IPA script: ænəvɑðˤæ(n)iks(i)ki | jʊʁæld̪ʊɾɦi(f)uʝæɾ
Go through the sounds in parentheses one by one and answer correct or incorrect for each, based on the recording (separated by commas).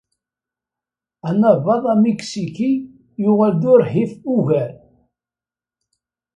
incorrect, correct, correct